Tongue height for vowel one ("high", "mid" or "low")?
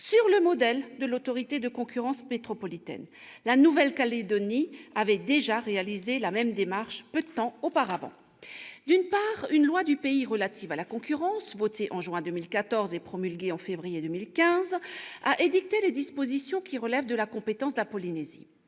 high